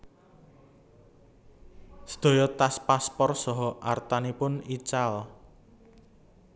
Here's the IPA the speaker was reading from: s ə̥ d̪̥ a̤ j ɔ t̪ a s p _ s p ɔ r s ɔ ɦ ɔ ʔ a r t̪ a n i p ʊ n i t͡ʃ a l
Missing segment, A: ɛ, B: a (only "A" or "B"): B